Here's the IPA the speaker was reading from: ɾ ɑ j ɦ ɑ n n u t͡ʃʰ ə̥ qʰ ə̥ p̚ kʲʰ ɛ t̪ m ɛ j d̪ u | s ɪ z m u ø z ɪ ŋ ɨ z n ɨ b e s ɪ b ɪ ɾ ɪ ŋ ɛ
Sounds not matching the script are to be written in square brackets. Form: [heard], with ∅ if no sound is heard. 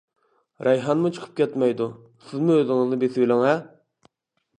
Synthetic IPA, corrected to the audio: ɾ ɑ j ɦ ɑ n [m] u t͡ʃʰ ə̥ qʰ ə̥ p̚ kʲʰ ɛ t̪ m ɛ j d̪ u | s ɪ z m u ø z ɪ ŋ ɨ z n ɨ b e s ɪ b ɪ [l] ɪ ŋ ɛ

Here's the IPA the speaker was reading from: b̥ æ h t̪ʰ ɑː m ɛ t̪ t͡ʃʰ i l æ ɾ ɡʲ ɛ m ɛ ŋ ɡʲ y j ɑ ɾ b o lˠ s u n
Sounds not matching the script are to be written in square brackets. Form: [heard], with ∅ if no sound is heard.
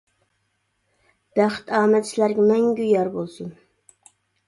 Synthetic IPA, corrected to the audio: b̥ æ [χ] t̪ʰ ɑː m ɛ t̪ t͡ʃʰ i l æ ɾ ɡʲ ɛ m ɛ ŋ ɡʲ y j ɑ ɾ b o lˠ s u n

